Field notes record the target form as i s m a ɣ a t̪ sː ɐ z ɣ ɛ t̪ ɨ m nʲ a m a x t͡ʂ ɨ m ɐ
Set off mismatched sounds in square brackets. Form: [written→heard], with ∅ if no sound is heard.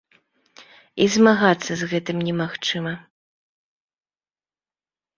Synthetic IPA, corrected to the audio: i [s→z] m a ɣ a t̪ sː ɐ z ɣ ɛ t̪ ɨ m nʲ [a→ɛ] m a x t͡ʂ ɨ m ɐ